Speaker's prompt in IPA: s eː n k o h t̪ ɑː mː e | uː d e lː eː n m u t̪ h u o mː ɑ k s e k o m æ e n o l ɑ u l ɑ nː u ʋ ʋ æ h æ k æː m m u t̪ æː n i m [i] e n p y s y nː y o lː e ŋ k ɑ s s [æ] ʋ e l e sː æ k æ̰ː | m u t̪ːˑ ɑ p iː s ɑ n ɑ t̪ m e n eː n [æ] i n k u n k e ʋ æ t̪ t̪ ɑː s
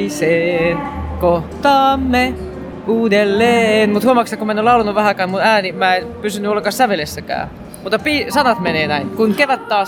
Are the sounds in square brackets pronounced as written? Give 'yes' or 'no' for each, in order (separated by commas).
no, yes, yes